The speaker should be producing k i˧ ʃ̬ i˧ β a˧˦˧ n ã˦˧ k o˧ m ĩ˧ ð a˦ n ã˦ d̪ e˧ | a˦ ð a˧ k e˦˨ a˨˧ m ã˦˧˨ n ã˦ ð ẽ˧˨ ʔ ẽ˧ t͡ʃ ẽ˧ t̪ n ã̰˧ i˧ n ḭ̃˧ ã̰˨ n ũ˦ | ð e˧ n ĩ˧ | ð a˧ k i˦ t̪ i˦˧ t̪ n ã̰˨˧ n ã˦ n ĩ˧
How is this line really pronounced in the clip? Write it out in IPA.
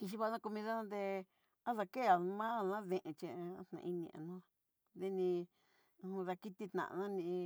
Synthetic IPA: k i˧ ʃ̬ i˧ β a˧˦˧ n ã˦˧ k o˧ m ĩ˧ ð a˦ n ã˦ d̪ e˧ | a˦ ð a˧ k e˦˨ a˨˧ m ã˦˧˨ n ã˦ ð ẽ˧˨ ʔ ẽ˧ t͡ʃ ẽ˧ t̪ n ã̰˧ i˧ n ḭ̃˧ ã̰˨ n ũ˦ | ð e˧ n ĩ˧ | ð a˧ k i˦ t̪ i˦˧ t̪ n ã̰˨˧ n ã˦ n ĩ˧